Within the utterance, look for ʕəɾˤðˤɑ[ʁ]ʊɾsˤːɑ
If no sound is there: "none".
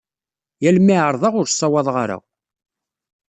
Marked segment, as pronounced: ʁ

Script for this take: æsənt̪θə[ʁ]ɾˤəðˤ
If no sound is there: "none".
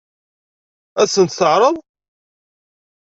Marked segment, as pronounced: ʕ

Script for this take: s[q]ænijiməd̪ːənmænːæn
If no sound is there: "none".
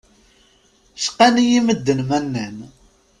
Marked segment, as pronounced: q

